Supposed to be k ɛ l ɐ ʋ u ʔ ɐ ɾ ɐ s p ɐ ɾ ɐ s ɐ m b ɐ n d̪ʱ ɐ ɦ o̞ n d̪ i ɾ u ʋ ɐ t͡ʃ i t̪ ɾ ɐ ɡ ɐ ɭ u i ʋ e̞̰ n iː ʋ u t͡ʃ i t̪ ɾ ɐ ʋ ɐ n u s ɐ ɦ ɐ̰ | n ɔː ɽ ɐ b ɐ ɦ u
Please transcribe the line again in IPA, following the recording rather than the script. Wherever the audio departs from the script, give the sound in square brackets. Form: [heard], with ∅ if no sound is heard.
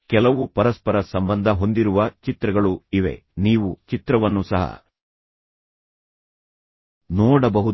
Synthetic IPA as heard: k ɛ l ɐ ʋ u [p] ɐ ɾ ɐ s p ɐ ɾ ɐ s ɐ m b ɐ n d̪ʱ ɐ ɦ o̞ n d̪ i ɾ u ʋ ɐ t͡ʃ i t̪ ɾ ɐ ɡ ɐ ɭ u i ʋ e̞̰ n iː ʋ u t͡ʃ i t̪ ɾ ɐ ʋ ɐ [nː] u s ɐ ɦ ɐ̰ | n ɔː ɽ ɐ b ɐ ɦ u

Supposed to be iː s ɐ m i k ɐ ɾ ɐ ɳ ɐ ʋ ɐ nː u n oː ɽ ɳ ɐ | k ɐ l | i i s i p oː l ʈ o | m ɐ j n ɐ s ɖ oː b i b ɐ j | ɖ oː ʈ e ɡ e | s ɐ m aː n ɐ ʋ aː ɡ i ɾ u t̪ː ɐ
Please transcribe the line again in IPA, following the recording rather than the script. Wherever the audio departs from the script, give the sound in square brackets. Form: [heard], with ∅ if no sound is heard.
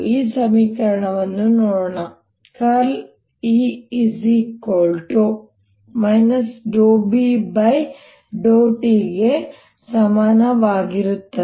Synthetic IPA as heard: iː s ɐ m [iː] k ɐ ɾ ɐ ɳ ɐ ʋ ɐ nː u n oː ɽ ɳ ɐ | k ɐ l | i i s i [k] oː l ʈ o | m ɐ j n ɐ s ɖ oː b i b ɐ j | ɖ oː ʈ [i] ɡ e | s ɐ m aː n ɐ ʋ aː ɡ i ɾ u t̪ː ɐ

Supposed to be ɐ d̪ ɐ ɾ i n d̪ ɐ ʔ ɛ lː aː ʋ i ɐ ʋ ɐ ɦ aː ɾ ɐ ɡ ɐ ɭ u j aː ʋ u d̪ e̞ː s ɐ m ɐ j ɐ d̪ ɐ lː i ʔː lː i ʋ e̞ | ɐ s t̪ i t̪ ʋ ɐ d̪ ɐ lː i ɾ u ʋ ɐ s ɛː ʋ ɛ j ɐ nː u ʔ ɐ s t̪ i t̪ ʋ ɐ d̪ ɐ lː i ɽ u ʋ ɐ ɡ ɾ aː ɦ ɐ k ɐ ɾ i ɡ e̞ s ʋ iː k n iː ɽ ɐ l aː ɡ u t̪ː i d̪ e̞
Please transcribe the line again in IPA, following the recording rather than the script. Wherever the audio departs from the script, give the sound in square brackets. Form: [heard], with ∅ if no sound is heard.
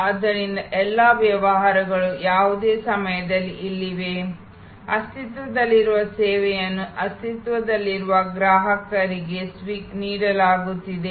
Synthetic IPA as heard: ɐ d̪ ɐ ɾ i n d̪ ɐ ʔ ɛ lː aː ʋ [j] ɐ ʋ ɐ ɦ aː ɾ ɐ ɡ ɐ ɭ u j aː ʋ u d̪ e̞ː s ɐ m ɐ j ɐ d̪ ɐ lː i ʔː lː i ʋ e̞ | ɐ s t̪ i t̪ ʋ ɐ d̪ ɐ lː i ɾ u ʋ ɐ s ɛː ʋ ɛ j ɐ nː u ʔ ɐ s t̪ i t̪ ʋ ɐ d̪ ɐ lː i [ɾ] u ʋ ɐ ɡ ɾ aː ɦ ɐ k ɐ ɾ i ɡ e̞ s ʋ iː k n iː ɽ ɐ l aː ɡ u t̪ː i d̪ e̞

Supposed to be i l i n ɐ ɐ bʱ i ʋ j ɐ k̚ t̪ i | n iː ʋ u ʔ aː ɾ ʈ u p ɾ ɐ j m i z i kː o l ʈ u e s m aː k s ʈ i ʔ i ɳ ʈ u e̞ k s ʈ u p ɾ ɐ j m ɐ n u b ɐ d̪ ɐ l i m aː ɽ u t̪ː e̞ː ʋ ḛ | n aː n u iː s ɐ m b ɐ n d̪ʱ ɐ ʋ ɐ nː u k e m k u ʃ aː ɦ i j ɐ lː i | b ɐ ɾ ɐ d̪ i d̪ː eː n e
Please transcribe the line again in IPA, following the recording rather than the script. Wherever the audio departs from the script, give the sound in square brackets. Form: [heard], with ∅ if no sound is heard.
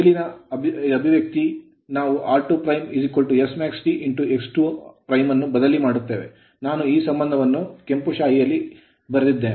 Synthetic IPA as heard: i l i n ɐ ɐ bʱ i ʋ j ɐ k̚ t̪ i | n [aː] ʋ u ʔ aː ɾ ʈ u p ɾ ɐ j m i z i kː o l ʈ u e s m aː k s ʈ i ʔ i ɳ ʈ u e̞ k s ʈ u p ɾ ɐ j m ɐ [nː] u b ɐ d̪ ɐ l i m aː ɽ u t̪ː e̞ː ʋ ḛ | n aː n u iː s ɐ m b ɐ n d̪ʱ ɐ ʋ ɐ nː u k e m [p] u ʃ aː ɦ i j ɐ lː i | b ɐ ɾ ɐ d̪ i d̪ː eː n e

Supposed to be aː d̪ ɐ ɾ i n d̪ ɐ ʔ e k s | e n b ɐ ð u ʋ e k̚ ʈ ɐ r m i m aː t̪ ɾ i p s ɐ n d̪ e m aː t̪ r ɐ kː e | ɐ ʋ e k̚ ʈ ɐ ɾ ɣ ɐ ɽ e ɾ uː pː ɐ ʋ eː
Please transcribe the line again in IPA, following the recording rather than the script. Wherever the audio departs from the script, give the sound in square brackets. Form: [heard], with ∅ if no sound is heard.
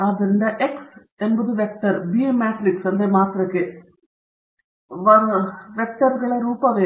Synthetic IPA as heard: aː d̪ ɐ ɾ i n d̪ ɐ ʔ e k s | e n b ɐ ð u ʋ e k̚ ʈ ɐ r [b] i m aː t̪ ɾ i [k] s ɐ n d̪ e m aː t̪ r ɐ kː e | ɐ ʋ e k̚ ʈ ɐ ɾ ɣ ɐ [ɭ] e ɾ uː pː ɐ ʋ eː

